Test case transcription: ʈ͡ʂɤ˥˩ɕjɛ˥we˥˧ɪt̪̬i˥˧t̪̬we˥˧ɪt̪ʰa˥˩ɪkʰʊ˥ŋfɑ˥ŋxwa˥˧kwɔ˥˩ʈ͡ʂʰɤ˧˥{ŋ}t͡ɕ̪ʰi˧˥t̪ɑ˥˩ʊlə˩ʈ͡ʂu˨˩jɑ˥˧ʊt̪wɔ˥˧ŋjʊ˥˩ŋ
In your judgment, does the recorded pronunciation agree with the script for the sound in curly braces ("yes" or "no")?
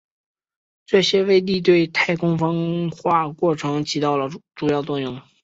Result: yes